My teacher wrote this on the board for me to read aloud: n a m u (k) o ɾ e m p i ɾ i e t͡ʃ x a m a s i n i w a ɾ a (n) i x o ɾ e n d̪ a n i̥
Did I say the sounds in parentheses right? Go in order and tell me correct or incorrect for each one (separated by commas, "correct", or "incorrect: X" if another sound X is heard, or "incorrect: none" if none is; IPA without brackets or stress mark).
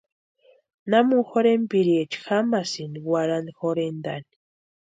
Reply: incorrect: x, correct